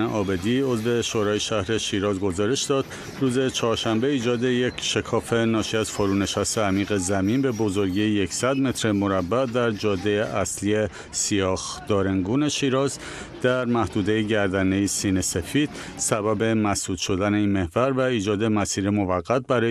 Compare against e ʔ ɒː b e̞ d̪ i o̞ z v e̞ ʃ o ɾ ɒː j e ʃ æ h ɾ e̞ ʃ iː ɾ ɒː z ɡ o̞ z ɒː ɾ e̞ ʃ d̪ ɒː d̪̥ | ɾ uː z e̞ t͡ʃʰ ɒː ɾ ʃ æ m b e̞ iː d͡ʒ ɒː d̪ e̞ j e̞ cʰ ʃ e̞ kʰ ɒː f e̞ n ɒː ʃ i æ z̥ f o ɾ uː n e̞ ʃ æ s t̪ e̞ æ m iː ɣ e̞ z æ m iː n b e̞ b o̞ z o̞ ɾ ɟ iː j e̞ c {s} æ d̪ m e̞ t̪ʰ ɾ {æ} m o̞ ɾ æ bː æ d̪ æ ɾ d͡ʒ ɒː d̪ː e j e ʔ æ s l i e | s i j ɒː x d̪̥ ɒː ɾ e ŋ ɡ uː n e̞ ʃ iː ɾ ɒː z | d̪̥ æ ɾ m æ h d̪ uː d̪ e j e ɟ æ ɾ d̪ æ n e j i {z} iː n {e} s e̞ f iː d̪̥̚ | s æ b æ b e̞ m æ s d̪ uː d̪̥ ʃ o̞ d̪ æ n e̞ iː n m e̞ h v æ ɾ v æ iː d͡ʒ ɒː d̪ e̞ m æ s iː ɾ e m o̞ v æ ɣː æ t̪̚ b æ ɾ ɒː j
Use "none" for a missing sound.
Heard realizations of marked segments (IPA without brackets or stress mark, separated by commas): s, e, s, e